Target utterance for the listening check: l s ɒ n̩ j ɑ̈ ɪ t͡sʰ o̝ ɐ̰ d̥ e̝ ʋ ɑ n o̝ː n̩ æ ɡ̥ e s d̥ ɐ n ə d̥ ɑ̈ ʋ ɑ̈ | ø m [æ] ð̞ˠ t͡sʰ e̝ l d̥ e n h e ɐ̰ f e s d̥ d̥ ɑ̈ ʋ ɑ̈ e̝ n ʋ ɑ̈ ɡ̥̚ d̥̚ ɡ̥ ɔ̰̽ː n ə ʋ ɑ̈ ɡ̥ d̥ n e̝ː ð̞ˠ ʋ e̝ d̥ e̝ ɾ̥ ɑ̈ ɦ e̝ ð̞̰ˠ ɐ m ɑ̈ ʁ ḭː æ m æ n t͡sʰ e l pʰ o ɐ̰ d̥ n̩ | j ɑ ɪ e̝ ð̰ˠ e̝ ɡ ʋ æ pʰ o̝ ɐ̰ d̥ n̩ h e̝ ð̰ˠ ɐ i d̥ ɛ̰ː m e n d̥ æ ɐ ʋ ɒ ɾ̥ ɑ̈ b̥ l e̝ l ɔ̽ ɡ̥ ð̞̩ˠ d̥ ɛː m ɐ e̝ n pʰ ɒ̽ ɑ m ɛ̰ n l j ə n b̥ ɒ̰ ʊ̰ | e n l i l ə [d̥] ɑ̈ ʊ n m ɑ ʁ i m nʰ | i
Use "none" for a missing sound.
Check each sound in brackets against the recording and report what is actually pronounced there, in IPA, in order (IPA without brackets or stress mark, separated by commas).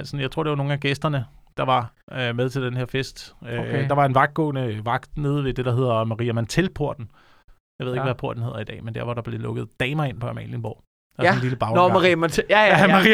e, b̥